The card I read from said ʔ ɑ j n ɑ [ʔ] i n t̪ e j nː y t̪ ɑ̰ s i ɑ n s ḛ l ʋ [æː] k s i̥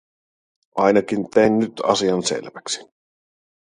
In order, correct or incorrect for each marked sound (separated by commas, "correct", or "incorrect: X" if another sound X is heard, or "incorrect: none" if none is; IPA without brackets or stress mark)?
incorrect: k, incorrect: æ